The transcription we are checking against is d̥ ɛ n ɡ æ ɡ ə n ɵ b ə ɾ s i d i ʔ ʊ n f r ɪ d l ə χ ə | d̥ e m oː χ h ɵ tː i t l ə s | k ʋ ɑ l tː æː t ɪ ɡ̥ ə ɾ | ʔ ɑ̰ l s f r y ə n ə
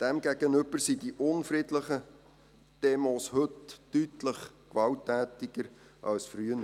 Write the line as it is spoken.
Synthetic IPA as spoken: d̥ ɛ m ɡ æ ɡ ə n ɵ b ə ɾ s i d i ʔ ʊ n f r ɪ d l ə χ ə | d̥ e m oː s h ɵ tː y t l ə χ | k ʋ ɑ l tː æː t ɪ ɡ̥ ə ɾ | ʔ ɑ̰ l s f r y ə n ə